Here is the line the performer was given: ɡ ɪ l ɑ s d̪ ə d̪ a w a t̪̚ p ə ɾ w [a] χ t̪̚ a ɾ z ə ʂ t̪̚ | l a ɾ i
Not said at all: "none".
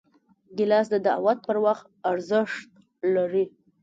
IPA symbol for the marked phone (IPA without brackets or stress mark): a